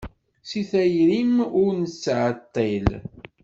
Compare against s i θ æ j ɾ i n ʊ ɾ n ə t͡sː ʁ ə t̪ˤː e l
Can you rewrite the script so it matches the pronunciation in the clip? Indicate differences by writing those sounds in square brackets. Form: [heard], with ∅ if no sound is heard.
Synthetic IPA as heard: s i θ æ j ɾ i [m] ʊ ɾ n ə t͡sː [ʕ] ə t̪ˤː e l

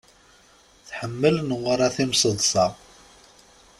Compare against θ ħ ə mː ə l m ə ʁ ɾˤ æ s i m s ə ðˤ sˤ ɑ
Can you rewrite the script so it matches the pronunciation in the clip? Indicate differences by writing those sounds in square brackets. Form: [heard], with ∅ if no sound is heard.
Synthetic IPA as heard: θ ħ ə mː ə l [n] ə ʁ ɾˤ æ [θ] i m s ə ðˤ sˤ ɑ

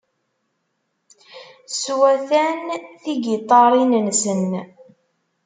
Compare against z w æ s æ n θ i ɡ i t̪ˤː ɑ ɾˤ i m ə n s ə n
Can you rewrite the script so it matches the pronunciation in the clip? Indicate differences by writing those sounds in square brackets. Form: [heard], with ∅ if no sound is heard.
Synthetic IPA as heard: [s] w æ [θ] æ n θ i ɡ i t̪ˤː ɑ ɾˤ i [n] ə n s ə n

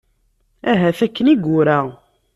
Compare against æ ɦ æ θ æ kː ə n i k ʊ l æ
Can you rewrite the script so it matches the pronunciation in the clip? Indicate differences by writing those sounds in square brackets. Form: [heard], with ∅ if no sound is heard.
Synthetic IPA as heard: æ ɦ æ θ æ kː ə n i [ɡ] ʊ [ɾ] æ

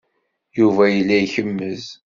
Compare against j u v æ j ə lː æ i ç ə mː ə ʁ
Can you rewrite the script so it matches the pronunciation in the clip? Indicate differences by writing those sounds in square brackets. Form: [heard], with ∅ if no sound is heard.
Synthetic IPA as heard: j u v æ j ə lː æ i ç ə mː ə [z]

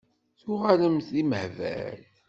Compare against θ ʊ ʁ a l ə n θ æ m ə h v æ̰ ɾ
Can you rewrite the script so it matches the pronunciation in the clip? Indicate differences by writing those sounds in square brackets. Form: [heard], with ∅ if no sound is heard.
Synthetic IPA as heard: θ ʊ ʁ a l ə [m] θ [i] m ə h v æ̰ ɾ

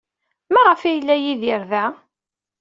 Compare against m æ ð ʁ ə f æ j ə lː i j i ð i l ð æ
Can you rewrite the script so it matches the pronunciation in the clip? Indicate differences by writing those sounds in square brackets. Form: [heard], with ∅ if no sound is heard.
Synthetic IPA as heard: m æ [∅] ʁ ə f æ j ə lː [æ] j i ð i [ɾ] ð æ

